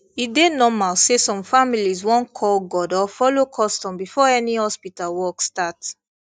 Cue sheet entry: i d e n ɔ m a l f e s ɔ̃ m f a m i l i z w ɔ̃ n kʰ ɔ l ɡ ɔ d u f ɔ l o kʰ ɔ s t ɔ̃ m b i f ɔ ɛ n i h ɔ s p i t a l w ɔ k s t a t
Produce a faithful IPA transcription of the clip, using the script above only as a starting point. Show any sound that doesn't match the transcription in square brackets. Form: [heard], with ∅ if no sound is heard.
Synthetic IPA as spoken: i d e n ɔ m a l [s] e s ɔ̃ m f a m i l i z w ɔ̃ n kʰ ɔ l ɡ ɔ d [ɔ] f ɔ l o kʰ ɔ s t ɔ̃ m b i f ɔ ɛ n i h ɔ s p i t a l w ɔ k s t a t